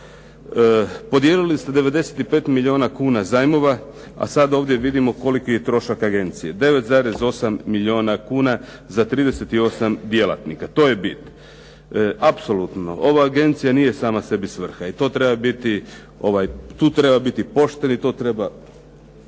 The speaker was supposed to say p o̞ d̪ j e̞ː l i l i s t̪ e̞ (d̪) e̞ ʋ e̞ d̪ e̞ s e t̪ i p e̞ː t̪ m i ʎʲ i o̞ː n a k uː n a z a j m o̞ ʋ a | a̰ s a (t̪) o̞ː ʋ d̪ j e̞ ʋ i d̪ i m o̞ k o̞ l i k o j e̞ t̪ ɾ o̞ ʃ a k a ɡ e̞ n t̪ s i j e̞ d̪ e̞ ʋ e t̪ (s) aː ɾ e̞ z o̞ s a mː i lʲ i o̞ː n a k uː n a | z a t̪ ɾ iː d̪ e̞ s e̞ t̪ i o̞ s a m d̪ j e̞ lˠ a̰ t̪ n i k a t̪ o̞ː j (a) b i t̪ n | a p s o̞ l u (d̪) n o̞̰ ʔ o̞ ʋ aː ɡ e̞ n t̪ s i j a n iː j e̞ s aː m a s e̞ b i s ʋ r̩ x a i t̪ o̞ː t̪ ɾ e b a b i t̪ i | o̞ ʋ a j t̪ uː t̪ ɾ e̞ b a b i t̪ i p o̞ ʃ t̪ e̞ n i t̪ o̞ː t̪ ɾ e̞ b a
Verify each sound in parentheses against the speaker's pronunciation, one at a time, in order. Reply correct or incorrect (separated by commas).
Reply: correct, incorrect, incorrect, incorrect, incorrect